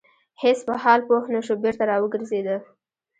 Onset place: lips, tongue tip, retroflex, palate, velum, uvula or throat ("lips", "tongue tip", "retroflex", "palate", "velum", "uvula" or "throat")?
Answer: throat